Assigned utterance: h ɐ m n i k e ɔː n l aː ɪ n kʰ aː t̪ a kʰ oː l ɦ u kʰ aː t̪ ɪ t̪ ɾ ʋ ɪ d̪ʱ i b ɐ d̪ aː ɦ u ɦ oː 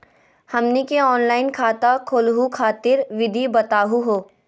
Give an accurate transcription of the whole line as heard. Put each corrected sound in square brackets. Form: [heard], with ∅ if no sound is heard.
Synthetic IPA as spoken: h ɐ m n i k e ɔː n l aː ɪ n kʰ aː t̪ a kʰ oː l ɦ u kʰ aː t̪ ɪ [∅] ɾ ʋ ɪ d̪ʱ i b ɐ [t̪] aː ɦ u ɦ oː